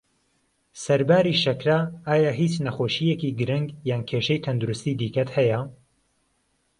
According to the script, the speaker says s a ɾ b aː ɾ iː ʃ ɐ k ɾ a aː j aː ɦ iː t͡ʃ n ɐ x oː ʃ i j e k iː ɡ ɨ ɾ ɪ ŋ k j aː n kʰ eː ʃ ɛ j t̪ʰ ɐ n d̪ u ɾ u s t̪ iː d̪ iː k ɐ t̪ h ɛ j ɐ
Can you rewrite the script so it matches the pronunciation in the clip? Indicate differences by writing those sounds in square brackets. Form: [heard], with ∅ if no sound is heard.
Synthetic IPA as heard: s [ɐ] ɾ b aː ɾ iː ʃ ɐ k ɾ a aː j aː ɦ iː t͡ʃ n ɐ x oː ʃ i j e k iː ɡ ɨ ɾ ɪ ŋ [ɡ] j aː n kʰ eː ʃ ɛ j t̪ʰ ɐ n d̪ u ɾ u s t̪ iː d̪ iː k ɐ t̪ h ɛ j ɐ